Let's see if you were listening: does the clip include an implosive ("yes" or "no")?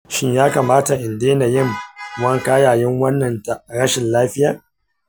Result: no